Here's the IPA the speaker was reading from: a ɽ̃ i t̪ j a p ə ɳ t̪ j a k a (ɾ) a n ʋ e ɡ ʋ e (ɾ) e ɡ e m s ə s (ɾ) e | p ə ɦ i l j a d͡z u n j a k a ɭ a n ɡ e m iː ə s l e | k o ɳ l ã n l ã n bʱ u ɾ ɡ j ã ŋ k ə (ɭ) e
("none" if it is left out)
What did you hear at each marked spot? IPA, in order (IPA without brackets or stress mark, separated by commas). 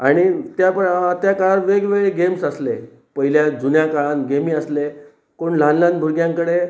ɭ, ɭ, l, ɽ